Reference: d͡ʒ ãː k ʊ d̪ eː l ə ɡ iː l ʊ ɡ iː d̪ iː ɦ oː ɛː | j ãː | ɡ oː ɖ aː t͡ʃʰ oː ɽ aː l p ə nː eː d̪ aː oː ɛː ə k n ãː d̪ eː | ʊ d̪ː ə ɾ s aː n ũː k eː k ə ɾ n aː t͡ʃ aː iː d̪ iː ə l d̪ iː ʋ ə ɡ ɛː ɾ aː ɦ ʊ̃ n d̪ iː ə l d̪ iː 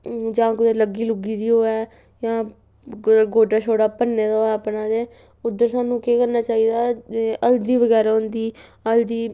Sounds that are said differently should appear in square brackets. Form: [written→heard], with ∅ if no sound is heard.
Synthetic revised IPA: d͡ʒ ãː k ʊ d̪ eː l ə ɡ iː l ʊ ɡ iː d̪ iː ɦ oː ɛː | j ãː | ɡ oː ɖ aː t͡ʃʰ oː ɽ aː [l→∅] p ə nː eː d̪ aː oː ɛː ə [k→p] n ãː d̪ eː | ʊ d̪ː ə ɾ s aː n ũː k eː k ə ɾ n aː t͡ʃ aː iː d̪ [iː→aː] ə l d̪ iː ʋ ə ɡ ɛː ɾ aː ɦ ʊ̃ n d̪ iː ə l d̪ iː